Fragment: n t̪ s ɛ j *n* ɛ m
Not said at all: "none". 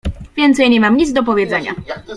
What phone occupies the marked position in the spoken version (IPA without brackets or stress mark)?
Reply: ɲ